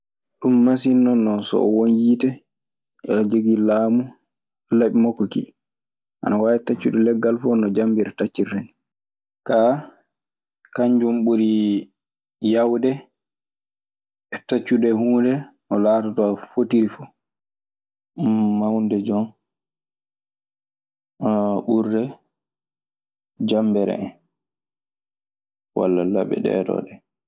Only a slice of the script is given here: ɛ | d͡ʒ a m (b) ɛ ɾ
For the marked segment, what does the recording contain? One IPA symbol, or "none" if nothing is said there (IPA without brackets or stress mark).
b